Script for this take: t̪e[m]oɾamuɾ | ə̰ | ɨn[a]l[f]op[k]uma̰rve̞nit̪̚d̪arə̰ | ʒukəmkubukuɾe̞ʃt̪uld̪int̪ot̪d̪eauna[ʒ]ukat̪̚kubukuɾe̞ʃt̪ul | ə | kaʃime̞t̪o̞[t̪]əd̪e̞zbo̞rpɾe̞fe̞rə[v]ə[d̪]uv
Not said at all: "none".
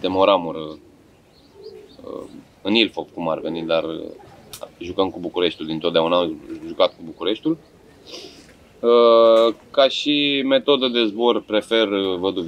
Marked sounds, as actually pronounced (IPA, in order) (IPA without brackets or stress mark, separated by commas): m, i, f, k, ʒ, d̪, v, d̪